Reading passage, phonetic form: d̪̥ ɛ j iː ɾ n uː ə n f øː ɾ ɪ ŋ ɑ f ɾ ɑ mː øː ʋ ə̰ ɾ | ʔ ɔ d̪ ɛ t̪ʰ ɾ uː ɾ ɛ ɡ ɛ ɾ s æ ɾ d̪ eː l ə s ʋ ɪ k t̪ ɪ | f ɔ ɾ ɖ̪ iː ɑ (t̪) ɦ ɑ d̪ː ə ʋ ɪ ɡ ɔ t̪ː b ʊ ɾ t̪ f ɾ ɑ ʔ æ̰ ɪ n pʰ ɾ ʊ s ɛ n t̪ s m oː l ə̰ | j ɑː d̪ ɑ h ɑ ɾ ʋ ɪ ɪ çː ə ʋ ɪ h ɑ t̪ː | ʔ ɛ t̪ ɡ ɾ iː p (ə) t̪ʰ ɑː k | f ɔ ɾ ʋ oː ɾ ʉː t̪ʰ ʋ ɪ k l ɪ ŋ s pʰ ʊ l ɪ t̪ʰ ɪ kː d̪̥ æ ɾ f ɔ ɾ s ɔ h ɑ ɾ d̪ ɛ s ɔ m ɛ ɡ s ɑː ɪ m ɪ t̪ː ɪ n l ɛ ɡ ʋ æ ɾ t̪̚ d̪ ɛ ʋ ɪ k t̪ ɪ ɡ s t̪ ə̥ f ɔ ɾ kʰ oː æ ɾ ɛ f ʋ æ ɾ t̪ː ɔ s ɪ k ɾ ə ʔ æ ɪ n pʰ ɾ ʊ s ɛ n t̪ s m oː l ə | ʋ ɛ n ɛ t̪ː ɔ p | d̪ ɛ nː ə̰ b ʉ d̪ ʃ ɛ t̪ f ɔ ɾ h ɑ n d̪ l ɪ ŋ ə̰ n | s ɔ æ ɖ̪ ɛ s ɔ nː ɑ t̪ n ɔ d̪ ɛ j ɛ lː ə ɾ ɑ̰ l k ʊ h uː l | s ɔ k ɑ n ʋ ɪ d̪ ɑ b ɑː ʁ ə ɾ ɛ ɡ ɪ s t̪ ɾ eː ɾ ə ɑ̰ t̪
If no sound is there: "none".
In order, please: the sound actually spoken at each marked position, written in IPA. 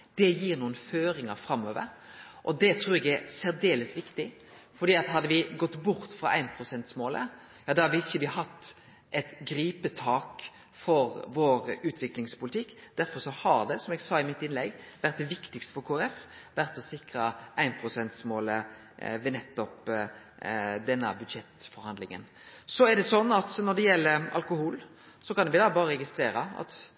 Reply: t̪, ə

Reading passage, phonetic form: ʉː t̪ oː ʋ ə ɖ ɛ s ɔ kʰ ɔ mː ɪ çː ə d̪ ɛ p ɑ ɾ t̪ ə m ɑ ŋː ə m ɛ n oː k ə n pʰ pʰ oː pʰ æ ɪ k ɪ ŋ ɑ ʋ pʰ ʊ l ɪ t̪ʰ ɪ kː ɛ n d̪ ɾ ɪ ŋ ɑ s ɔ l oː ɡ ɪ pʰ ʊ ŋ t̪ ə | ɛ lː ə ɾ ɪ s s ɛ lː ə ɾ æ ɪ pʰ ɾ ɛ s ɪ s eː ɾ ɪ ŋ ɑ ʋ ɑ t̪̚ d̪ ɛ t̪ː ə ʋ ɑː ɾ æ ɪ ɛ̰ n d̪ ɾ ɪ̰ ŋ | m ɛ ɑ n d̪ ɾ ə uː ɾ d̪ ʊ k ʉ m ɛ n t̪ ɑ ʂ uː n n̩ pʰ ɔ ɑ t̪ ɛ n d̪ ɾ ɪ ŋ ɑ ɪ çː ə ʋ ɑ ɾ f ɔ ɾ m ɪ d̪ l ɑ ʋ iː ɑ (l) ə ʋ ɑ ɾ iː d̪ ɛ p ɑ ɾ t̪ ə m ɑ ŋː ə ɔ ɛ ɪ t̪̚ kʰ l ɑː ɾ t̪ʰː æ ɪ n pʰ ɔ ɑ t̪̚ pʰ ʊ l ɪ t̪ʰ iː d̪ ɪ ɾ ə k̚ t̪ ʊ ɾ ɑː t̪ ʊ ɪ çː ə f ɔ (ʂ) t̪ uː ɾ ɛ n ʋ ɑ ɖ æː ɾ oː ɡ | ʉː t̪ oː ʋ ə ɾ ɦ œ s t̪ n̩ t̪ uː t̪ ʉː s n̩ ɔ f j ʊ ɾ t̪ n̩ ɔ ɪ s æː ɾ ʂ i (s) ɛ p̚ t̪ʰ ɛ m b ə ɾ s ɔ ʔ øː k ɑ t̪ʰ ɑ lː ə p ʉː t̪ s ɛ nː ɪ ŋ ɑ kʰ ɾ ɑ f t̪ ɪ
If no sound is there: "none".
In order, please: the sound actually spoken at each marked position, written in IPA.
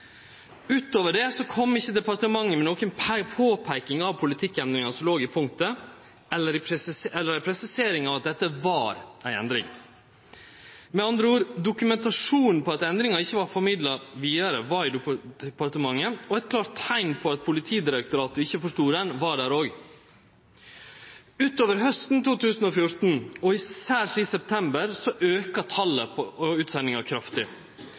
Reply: ɾ, ʂ, s

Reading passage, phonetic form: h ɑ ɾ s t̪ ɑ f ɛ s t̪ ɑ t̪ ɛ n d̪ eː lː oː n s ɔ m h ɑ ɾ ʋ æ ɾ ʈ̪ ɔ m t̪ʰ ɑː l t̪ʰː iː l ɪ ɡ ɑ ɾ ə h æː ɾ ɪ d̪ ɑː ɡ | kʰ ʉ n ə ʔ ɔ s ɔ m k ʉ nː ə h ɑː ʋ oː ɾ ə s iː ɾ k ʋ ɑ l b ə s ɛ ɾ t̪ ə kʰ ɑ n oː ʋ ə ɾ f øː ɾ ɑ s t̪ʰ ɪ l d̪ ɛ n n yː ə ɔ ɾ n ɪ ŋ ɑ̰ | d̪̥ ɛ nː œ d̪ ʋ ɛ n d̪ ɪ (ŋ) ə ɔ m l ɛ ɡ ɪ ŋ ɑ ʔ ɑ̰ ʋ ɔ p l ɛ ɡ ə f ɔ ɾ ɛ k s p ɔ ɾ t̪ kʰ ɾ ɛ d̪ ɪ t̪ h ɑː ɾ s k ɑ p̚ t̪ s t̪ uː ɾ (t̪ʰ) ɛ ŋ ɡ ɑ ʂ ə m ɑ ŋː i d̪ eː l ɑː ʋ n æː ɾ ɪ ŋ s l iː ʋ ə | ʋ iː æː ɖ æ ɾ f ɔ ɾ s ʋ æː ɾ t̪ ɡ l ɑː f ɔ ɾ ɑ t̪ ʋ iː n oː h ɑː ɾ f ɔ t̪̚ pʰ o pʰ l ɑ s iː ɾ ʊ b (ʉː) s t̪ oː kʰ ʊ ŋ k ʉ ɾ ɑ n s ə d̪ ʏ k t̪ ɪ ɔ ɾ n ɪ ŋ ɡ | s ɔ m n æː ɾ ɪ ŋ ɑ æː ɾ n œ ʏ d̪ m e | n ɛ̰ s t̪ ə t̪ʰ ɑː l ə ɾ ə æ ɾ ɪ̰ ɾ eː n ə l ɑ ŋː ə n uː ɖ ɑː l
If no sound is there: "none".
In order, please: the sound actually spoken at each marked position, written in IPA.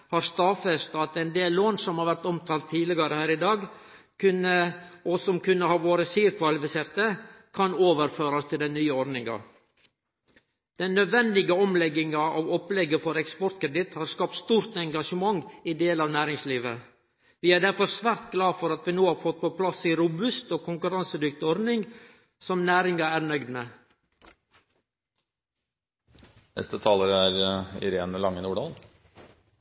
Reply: ɡ, t̪, ʉ

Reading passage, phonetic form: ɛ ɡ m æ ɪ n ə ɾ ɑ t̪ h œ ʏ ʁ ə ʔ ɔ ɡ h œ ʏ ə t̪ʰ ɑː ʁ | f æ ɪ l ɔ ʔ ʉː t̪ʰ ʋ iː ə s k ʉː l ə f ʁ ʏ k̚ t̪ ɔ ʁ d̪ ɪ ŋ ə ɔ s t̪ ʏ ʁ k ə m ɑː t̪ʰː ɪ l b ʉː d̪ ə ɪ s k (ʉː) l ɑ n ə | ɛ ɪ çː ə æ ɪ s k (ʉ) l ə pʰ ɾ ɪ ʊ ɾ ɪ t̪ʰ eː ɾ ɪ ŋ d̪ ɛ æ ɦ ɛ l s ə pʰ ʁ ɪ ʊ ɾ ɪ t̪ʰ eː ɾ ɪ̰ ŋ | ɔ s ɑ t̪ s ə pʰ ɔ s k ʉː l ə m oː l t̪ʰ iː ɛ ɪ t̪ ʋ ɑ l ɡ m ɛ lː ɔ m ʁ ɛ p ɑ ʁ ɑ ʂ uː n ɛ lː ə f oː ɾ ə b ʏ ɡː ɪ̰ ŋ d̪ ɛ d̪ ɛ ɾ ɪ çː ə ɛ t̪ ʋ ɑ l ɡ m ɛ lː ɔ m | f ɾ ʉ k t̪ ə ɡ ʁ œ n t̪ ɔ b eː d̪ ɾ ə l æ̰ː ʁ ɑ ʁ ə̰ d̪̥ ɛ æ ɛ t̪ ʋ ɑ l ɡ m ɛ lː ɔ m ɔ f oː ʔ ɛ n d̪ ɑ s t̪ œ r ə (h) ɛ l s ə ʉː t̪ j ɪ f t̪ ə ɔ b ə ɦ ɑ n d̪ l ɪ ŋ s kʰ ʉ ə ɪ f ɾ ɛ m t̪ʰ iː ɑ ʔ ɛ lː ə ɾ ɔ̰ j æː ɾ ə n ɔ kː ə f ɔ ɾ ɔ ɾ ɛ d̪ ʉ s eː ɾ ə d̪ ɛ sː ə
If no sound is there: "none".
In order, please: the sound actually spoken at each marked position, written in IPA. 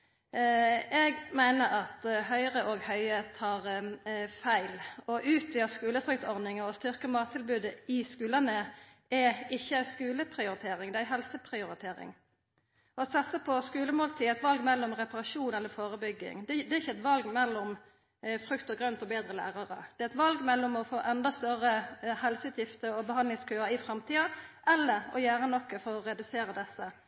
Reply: ʉː, ʉː, h

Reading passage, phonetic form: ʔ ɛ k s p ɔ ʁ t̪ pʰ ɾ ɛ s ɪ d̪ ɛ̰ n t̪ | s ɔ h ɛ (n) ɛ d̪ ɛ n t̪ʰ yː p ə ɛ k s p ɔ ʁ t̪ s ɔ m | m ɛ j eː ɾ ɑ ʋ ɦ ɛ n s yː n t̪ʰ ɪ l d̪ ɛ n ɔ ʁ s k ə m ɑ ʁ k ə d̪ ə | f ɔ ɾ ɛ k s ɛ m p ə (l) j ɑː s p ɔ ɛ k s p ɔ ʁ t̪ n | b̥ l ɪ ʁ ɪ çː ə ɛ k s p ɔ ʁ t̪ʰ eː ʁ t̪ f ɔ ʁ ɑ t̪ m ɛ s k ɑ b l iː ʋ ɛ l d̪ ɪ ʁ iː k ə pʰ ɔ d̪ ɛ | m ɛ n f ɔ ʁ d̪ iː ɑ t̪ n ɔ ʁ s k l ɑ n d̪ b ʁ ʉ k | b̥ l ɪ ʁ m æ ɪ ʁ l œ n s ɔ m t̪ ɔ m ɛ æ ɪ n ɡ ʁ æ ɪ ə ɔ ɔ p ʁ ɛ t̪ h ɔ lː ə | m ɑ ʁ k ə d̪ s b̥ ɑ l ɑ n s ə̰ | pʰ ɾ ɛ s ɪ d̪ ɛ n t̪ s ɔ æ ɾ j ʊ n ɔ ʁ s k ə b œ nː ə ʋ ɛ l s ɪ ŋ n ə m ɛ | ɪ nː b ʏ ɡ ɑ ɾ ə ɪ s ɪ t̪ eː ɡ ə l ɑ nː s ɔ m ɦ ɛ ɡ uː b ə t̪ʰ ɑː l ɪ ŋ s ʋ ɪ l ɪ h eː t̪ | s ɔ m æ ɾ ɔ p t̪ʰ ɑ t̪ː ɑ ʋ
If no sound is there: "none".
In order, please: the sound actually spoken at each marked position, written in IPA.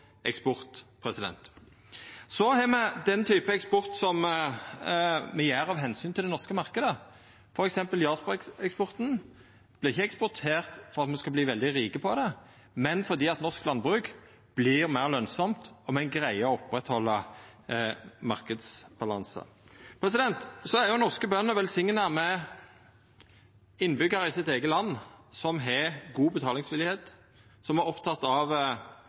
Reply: m, l

